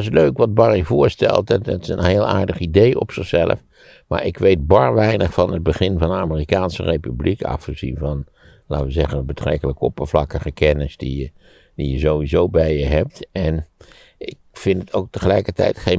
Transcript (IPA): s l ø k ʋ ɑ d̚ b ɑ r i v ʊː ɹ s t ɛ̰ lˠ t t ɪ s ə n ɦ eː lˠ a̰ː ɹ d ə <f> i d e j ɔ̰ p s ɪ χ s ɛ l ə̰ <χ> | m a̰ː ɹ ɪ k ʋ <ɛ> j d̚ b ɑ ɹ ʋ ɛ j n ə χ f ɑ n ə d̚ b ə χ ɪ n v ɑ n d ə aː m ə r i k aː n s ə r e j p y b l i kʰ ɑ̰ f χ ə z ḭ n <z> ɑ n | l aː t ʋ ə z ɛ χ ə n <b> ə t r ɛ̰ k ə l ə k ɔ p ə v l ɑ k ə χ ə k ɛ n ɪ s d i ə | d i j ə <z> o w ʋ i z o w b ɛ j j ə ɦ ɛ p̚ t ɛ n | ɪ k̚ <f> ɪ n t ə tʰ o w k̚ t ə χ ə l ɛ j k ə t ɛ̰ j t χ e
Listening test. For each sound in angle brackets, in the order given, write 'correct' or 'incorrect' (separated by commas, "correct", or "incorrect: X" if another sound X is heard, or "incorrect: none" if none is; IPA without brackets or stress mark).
incorrect: χ, incorrect: f, incorrect: e, incorrect: v, correct, correct, correct